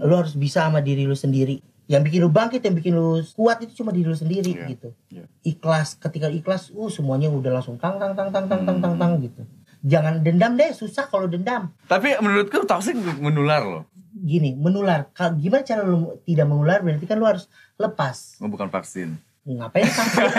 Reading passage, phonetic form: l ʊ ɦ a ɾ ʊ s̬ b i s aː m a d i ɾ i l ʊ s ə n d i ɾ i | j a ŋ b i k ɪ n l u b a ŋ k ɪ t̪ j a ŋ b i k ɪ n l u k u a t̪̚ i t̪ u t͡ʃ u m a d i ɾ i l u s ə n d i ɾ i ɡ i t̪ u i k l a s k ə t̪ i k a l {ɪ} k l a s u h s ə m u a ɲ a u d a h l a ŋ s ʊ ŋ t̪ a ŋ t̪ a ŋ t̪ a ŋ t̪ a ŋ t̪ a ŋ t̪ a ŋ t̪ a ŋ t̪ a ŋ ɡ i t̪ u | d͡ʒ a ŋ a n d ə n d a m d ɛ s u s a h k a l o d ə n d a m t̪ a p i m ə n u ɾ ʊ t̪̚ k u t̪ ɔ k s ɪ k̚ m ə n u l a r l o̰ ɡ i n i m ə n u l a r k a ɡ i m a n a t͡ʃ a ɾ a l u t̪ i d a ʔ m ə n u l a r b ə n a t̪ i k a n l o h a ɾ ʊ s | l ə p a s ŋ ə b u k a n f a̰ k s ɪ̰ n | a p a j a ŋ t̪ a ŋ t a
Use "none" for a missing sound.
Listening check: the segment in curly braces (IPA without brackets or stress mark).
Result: i